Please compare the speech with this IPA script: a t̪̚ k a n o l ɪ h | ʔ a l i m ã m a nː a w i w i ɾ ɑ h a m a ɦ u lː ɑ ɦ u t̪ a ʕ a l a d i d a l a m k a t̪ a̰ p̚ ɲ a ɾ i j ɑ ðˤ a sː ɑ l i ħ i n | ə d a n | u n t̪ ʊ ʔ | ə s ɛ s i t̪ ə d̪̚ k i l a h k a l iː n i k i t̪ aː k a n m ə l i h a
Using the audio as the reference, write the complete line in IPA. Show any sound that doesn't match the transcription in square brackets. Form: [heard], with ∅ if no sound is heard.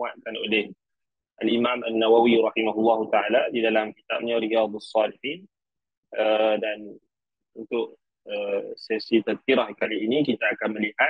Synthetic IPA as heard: a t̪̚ k a n o l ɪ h | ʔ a l i m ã m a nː a w [a] w i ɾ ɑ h [i] m a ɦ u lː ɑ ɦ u t̪ a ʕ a l a d i d a l a m k [i] t̪ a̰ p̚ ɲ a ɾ i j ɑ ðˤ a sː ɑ l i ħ i n | ə d a n | u n t̪ ʊ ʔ | ə s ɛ s i t̪ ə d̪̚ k i [ɾ] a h k a l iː n i k i t̪ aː k a n m ə l i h a

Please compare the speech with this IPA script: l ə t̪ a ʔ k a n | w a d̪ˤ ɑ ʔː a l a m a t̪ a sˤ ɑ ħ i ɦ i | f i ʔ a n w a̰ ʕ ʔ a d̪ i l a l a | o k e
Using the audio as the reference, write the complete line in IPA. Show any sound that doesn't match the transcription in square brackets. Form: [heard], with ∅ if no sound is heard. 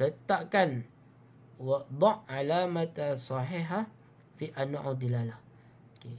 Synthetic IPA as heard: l ə t̪ a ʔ k a n | w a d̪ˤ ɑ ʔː a l a m a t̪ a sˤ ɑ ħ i ɦ [a] | f i ʔ a n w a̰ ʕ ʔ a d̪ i l a l a | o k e

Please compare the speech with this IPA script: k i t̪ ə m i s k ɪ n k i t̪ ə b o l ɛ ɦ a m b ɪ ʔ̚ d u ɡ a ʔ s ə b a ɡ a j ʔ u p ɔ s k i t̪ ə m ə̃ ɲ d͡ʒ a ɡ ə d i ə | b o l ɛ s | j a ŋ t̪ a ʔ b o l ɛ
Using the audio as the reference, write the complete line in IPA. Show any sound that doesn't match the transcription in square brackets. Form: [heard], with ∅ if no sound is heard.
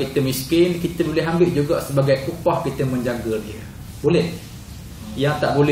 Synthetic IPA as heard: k i t̪ ə m i s k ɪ n k i t̪ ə b o l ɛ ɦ a m b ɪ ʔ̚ [d͡ʒ] u ɡ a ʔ s ə b a ɡ a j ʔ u p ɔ [h] k i t̪ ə m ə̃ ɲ d͡ʒ a ɡ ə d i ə | b o l ɛ [h] | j a ŋ t̪ a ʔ b o l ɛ

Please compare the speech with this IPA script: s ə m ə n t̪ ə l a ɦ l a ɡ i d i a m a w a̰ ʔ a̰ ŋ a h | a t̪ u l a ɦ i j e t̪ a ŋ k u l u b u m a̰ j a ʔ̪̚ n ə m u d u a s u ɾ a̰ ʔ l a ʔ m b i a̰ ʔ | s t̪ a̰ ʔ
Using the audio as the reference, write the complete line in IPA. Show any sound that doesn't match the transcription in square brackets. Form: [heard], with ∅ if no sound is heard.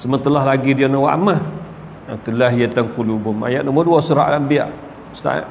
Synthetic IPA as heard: s ə m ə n t̪ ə l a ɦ l a ɡ i d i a [n] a w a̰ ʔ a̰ [m] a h | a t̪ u l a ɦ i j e t̪ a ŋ k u l u b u m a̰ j a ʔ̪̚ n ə m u d u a s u ɾ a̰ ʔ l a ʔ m b i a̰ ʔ | s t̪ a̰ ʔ

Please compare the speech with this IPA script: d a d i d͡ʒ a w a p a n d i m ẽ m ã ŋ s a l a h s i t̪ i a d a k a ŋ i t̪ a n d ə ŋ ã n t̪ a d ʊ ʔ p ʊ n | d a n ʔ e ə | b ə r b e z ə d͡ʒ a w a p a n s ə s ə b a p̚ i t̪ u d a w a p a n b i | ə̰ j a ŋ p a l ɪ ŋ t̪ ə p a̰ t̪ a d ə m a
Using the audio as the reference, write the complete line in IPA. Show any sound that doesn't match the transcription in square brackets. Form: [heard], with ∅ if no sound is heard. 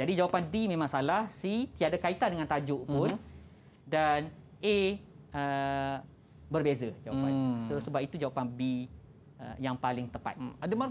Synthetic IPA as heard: [d͡ʒ] a d i d͡ʒ a w a p a n d i m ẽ m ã ŋ s a l a h s i t̪ i a d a k a [∅] i t̪ a n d ə ŋ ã n t̪ a [d͡ʒ] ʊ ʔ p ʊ n | d a n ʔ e ə | b ə r b e z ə d͡ʒ a w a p a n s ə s ə b a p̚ i t̪ u [d͡ʒ] a w a p a n b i | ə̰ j a ŋ p a l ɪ ŋ t̪ ə p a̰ t̪ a d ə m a

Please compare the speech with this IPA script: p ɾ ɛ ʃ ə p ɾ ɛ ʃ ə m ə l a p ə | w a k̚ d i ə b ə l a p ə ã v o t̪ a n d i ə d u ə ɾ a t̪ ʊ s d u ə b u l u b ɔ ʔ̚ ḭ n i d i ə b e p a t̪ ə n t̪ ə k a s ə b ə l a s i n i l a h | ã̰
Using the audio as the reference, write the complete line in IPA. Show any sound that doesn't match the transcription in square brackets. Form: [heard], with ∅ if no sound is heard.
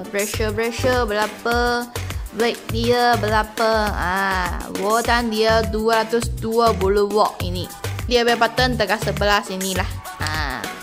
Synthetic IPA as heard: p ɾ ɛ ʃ ə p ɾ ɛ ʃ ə [b] ə l a p ə | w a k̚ d i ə b ə l a p ə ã [w] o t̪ a n d i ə d u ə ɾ a t̪ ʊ s d u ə b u l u [w] ɔ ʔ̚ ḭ n i d i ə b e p a t̪ ə n t̪ ə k a s ə b ə l a s i n i l a h | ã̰

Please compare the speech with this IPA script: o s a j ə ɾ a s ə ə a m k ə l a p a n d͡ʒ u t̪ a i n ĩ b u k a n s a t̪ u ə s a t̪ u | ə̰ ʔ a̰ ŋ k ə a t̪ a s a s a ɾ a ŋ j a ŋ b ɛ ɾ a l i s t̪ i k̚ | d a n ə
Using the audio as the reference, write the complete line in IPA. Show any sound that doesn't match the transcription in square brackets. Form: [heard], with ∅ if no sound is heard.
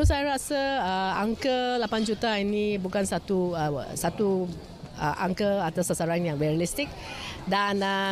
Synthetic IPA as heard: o s a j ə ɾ a s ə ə a [ŋ] k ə l a p a n d͡ʒ u t̪ a i n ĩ b u k a n s a t̪ u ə s a t̪ u | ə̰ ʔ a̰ ŋ k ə a t̪ a s a s a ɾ a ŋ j a ŋ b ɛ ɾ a l i s t̪ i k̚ | d a n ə

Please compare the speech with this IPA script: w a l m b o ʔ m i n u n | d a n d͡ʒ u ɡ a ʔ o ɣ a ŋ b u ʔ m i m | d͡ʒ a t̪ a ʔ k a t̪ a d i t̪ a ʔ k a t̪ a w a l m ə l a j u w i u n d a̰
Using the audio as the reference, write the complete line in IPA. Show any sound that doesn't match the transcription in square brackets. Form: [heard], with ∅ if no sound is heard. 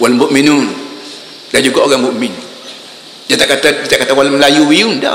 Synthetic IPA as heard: w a l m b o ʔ m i n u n | d a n d͡ʒ u ɡ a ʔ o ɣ a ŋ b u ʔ m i [n] | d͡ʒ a t̪ a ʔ k a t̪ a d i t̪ a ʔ k a t̪ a w a l m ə l a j u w i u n d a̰

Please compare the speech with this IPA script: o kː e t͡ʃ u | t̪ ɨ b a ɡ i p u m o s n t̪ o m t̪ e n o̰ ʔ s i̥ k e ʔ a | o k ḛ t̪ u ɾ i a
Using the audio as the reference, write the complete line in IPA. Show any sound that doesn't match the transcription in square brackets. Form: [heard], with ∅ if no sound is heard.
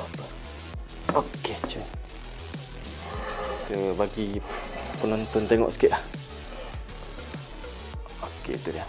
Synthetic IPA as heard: o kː e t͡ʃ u | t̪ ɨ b a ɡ i p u [n] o [∅] n t̪ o [n] t̪ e [ŋ] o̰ ʔ s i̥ k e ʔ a | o k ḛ t̪ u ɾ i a

